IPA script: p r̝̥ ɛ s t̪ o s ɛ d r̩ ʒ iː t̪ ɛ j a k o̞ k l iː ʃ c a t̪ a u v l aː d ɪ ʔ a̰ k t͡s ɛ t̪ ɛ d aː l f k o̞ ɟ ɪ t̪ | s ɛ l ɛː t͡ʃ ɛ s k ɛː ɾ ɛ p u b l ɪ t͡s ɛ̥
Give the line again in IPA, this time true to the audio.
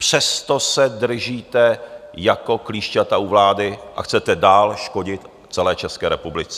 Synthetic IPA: p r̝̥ ɛ s t̪ o s ɛ d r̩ ʒ iː t̪ ɛ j a k o̞ k l iː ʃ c a t̪ a u v l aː d ɪ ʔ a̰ x t͡s ɛ t̪ ɛ d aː l ʃ k o̞ ɟ ɪ t̪ | t͡s ɛ l ɛː t͡ʃ ɛ s k ɛː ɾ ɛ p u b l ɪ t͡s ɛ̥